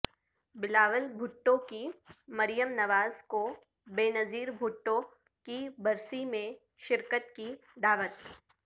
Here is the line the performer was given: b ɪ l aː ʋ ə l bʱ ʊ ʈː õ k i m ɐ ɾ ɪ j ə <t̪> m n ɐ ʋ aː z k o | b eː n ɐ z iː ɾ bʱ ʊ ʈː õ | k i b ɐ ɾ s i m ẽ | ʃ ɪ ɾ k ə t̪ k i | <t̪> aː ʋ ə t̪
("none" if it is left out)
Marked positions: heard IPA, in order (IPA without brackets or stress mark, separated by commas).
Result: none, d̪